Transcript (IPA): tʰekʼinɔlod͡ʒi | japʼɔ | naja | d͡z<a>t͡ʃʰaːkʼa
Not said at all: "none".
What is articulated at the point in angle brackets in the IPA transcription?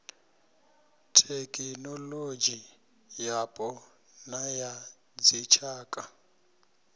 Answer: i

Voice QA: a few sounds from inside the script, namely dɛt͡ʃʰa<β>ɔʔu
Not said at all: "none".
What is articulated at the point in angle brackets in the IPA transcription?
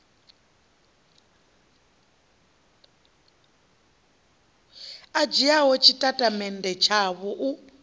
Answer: β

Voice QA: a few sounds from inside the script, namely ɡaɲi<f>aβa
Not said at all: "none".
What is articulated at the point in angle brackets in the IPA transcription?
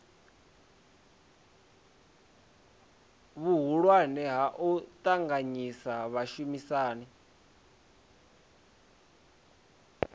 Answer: s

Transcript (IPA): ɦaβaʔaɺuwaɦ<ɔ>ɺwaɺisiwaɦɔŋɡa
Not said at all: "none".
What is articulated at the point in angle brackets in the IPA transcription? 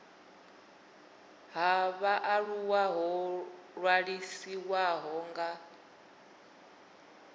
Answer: ɔ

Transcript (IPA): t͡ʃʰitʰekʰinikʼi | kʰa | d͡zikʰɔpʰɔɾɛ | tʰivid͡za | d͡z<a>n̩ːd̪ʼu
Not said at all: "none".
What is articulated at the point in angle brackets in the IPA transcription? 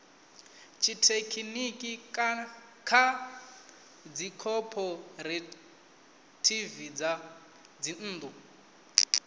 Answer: i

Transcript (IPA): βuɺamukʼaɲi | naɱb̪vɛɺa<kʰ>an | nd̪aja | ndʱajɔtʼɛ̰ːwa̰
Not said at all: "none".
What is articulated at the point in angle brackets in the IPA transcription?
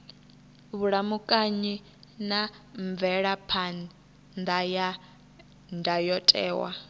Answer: pʰ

